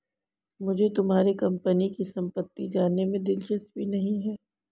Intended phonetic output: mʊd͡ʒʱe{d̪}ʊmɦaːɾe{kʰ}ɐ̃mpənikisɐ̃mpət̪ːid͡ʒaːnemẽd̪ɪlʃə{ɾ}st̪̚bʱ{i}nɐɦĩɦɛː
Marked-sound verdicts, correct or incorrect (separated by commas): incorrect, incorrect, incorrect, correct